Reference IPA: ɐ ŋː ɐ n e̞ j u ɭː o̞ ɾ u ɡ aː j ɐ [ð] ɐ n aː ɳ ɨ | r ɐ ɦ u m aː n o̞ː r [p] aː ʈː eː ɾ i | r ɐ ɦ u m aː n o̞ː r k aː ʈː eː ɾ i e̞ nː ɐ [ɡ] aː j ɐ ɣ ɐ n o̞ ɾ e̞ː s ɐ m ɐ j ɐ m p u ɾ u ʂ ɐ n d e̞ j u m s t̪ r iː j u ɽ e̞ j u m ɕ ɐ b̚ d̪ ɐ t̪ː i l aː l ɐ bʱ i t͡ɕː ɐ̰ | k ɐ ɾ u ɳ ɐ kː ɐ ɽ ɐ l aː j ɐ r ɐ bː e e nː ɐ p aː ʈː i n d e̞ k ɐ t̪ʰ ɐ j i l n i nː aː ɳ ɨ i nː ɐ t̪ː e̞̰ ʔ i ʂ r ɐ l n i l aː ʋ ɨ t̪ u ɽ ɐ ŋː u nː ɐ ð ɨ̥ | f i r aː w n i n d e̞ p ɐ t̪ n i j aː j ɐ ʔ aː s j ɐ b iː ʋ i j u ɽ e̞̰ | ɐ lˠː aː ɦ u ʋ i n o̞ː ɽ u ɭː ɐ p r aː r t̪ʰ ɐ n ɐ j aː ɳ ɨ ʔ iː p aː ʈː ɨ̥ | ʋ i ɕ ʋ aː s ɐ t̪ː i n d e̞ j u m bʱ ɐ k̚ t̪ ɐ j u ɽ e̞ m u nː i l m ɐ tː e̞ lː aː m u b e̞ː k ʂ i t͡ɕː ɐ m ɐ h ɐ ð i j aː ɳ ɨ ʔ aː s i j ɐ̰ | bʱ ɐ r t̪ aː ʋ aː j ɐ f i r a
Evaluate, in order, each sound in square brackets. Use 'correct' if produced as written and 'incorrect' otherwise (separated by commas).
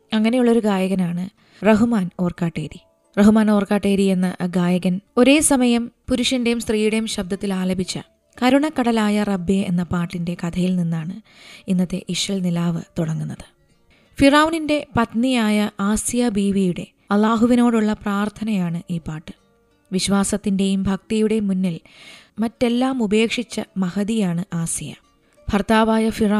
incorrect, incorrect, correct